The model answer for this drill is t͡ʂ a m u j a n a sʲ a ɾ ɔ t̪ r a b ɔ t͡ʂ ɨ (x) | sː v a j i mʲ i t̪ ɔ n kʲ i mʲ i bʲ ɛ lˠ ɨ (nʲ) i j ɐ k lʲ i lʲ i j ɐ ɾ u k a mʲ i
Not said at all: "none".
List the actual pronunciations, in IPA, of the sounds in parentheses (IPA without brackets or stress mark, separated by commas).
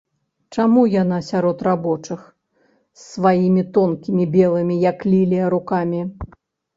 x, mʲ